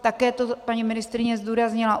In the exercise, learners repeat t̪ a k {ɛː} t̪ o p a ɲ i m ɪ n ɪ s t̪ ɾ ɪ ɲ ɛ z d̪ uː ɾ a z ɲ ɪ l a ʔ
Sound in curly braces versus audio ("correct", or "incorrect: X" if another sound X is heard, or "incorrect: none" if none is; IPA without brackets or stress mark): correct